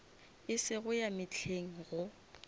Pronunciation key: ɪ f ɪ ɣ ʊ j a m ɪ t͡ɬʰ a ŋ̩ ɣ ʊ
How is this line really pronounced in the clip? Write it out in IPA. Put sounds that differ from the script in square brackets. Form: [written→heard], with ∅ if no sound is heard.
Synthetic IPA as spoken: ɪ [f→s] ɪ ɣ ʊ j a m ɪ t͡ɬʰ [a→e] ŋ̩ ɣ ʊ